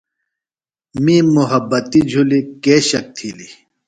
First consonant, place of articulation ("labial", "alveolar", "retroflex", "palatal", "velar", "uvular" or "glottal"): labial